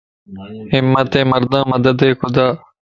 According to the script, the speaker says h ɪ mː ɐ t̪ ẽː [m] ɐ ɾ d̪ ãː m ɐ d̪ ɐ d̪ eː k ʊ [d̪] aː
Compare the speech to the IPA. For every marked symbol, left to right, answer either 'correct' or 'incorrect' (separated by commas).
correct, correct